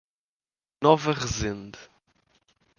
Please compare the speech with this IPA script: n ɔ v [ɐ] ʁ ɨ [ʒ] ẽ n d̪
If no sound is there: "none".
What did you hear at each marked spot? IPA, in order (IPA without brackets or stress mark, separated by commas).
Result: ɐ, z